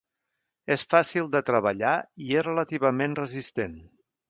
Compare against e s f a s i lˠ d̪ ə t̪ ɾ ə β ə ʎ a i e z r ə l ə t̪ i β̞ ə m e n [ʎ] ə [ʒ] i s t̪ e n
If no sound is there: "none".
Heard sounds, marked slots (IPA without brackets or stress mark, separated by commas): r, z